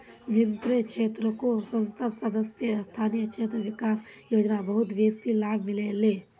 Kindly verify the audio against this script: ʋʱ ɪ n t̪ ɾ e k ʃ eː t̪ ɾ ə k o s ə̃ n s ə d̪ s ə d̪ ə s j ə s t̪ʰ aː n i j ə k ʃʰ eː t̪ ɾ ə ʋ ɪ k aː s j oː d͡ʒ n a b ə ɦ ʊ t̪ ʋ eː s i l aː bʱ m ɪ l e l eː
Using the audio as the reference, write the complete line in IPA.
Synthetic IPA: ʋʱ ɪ n t̪ ɾ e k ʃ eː t̪ ɾ ə k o s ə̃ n s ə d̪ s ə d̪ ə s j ə s t̪ʰ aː n i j ə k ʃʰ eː t̪ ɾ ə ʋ ɪ k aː s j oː d͡ʒ n a b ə ɦ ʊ t̪ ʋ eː s i l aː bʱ m ɪ l e l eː